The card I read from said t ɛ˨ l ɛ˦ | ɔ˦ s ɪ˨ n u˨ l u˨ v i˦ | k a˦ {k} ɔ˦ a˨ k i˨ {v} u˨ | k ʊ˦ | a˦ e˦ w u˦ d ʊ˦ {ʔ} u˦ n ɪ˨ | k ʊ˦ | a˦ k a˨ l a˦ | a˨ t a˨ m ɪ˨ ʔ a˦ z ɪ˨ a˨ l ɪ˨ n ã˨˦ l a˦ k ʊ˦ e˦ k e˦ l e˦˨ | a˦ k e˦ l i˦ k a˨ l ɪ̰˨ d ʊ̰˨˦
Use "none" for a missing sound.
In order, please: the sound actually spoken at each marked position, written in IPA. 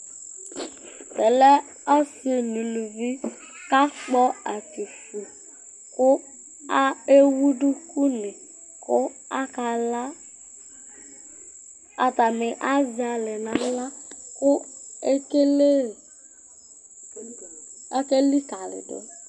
k͡p, f, k

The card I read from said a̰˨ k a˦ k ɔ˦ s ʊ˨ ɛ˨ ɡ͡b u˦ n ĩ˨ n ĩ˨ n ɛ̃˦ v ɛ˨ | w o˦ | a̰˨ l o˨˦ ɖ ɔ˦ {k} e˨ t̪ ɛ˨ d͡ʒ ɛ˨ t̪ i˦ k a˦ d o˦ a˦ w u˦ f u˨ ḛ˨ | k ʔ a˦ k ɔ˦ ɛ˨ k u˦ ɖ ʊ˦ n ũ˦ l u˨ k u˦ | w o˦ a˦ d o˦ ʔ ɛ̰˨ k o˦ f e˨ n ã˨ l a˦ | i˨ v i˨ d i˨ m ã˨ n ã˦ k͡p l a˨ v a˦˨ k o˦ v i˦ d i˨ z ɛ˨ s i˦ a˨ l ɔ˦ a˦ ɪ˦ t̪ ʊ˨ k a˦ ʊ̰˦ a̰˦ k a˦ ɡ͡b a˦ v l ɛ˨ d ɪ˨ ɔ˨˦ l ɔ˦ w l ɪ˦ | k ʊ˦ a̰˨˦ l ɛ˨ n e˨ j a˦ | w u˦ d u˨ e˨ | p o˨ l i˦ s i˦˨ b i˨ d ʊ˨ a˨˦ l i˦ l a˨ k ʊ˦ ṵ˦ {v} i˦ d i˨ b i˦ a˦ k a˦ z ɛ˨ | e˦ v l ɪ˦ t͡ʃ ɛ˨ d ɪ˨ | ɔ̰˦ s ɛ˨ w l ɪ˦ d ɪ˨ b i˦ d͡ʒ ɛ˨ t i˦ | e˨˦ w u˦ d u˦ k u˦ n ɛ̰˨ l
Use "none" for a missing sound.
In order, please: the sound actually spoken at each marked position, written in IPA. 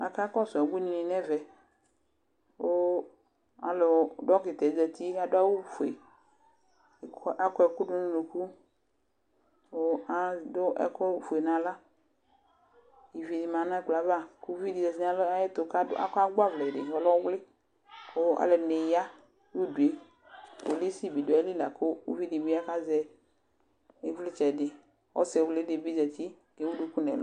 k, v

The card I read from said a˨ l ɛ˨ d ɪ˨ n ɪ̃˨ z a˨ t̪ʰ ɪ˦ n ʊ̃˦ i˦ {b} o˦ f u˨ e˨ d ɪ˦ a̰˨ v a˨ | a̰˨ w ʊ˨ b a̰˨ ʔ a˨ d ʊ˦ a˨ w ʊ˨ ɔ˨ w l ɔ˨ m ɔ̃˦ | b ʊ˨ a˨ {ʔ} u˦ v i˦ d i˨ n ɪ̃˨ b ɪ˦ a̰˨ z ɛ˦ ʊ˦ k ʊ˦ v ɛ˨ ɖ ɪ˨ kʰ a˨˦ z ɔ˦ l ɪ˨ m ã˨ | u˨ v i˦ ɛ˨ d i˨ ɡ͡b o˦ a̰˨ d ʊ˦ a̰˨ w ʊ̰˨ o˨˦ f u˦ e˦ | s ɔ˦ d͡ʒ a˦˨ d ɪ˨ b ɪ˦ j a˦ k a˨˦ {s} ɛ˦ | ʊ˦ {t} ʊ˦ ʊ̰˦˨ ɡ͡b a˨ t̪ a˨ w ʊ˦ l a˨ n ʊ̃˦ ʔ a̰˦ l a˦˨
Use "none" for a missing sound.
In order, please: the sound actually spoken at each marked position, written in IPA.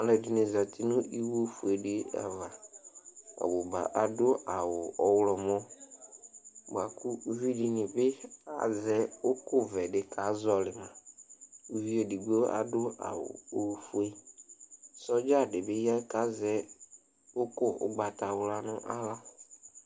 w, k, z, k

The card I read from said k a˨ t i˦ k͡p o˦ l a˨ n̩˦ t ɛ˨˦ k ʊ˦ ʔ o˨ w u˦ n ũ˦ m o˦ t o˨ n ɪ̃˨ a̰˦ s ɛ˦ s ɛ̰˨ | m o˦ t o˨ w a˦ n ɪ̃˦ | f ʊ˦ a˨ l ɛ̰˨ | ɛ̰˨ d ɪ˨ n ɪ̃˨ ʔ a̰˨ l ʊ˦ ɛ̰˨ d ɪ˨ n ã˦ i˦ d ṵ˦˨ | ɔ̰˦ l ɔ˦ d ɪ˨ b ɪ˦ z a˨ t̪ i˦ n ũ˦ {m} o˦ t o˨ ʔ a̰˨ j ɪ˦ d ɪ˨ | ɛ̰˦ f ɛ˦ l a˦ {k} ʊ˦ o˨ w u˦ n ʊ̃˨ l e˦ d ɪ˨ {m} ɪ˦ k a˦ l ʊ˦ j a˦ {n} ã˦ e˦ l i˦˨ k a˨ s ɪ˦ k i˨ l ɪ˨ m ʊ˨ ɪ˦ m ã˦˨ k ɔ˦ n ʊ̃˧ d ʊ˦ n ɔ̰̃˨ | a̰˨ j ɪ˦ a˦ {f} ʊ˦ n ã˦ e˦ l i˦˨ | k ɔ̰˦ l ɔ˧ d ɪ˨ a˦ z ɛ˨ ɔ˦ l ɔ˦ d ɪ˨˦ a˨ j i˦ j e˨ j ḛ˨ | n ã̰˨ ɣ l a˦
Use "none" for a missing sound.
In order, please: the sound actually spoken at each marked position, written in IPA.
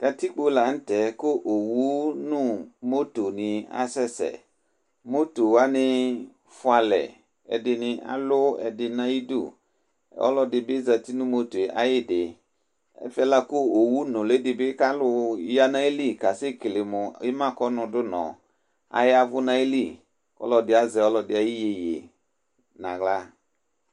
m, k, b, n, v

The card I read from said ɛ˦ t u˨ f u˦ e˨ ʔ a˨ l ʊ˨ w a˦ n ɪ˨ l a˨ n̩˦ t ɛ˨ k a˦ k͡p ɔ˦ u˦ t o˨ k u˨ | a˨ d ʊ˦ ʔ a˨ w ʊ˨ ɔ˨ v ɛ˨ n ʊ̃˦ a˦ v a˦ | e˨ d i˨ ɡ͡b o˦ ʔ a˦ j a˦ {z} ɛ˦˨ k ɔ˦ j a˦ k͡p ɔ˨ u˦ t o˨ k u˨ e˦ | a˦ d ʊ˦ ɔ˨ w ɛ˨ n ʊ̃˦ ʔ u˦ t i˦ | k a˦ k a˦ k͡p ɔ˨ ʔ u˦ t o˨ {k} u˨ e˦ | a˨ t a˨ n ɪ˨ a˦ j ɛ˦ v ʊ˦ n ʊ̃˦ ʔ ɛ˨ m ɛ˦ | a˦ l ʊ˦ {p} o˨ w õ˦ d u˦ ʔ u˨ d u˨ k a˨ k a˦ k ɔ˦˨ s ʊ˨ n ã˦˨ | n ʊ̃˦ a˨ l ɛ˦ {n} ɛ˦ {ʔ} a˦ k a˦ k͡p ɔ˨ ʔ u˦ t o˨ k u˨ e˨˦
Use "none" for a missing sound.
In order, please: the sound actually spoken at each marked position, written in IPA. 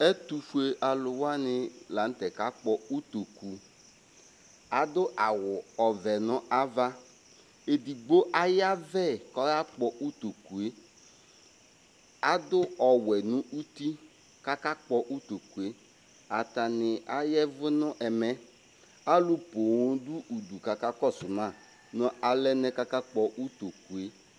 v, k, p, n, k

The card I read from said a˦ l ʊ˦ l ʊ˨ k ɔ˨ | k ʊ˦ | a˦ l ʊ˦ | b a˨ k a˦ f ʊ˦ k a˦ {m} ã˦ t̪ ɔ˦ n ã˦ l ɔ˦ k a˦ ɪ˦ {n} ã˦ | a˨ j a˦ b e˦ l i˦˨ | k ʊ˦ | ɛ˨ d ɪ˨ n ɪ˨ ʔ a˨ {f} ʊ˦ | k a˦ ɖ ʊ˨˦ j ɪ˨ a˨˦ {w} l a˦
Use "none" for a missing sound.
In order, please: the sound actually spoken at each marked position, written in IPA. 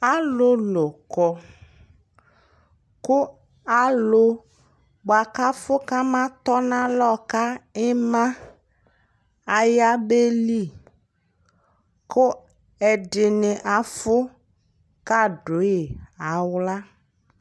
m, m, f, w

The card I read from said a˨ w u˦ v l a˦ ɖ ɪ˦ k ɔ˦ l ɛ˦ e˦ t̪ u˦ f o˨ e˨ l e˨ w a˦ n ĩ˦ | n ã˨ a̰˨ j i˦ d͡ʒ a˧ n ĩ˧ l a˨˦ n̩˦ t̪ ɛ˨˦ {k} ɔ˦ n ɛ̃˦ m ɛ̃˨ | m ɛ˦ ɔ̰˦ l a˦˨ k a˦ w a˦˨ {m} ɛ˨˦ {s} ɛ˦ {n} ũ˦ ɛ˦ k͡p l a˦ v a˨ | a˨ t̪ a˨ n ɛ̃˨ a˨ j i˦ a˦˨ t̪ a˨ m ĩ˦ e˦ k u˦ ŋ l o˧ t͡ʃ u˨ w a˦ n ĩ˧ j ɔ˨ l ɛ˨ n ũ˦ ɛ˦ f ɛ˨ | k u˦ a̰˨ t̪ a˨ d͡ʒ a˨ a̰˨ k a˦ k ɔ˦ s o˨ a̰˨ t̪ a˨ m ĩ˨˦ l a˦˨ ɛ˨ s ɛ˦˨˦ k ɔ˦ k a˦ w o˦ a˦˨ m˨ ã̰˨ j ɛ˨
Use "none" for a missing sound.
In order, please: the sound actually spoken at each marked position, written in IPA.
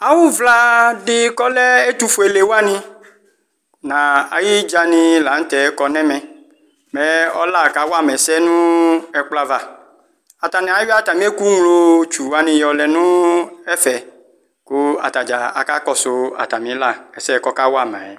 k, m, s, n

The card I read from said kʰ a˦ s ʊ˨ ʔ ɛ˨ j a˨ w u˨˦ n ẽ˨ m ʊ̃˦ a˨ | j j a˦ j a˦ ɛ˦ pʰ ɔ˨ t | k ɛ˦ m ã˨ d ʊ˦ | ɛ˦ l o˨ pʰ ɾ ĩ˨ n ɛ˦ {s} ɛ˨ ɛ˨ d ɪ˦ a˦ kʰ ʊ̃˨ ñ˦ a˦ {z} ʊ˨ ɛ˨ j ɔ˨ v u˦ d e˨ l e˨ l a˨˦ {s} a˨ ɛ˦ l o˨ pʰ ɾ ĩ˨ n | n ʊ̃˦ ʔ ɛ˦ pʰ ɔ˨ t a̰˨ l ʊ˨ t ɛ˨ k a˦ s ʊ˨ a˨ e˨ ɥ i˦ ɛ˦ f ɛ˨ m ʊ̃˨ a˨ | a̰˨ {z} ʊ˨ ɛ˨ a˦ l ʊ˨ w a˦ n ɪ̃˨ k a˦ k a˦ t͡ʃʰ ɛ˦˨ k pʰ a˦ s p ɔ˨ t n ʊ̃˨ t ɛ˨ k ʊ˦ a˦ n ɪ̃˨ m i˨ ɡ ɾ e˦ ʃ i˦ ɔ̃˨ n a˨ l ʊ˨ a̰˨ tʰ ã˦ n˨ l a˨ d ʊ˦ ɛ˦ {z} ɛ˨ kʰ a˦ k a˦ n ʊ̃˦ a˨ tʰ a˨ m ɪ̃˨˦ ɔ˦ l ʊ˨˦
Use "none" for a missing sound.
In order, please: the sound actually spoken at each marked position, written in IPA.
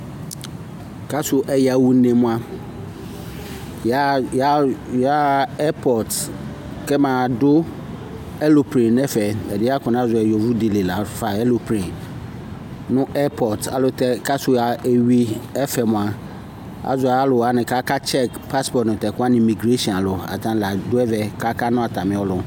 f, z, f, z, v

